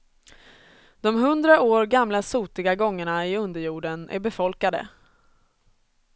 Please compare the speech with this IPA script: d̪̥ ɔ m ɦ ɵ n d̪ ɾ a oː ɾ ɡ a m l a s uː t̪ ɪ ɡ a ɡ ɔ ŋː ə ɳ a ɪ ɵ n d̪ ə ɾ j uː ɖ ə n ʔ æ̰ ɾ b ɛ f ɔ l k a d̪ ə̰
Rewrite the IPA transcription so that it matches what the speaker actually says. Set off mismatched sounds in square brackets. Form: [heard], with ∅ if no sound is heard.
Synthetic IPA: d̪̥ ɔ m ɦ ɵ n d̪ ɾ a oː ɾ ɡ a m l a s uː t̪ ɪ ɡ a ɡ ɔ ŋː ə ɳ a ɪ ɵ n d̪ ə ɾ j uː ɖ ə n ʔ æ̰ ɾ b ɛ f ɔ l k a d̪ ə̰